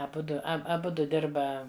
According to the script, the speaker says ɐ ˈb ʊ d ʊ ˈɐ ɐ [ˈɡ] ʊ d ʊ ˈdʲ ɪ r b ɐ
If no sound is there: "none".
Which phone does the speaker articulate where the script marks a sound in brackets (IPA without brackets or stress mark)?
b